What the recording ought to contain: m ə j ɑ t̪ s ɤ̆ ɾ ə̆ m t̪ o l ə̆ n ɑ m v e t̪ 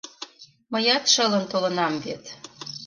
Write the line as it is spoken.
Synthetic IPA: m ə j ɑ t̪ ʃ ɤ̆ l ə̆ n t̪ o l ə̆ n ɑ m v e t̪